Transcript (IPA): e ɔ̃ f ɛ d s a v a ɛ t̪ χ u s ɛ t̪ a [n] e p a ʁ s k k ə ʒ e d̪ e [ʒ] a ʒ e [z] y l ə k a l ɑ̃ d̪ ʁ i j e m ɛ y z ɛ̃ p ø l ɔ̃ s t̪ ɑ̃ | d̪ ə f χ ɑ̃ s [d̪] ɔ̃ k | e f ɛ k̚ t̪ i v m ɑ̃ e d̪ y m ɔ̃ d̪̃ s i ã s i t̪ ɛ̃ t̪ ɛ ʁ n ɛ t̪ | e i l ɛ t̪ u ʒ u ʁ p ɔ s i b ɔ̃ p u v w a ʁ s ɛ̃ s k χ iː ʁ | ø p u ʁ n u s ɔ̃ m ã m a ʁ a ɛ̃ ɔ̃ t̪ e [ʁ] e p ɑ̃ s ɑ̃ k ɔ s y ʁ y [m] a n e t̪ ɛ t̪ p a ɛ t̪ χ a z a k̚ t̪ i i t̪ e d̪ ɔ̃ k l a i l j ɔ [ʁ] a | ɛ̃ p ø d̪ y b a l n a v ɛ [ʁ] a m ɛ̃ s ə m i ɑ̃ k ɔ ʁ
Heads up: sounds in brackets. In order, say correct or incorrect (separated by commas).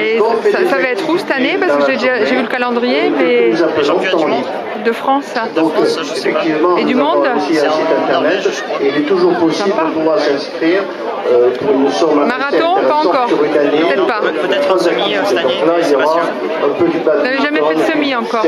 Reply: correct, correct, incorrect, correct, correct, incorrect, correct, incorrect